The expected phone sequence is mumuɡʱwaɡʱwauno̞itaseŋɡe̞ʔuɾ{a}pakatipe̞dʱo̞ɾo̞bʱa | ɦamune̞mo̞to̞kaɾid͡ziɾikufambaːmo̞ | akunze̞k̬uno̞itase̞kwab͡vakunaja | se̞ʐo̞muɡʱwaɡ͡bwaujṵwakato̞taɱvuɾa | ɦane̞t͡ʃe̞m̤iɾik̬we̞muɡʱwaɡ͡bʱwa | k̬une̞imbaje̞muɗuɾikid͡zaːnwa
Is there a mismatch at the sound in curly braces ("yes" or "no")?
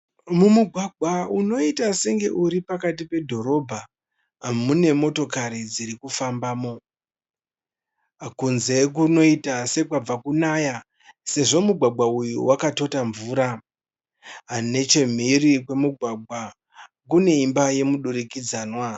yes